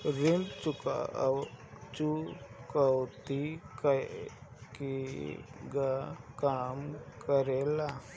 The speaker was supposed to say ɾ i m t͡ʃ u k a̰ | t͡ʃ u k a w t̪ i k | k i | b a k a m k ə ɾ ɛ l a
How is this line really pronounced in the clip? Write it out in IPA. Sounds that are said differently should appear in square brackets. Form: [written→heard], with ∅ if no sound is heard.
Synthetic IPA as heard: ɾ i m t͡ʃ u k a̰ | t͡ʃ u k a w t̪ i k | k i | [b→ɡ] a k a m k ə ɾ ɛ l a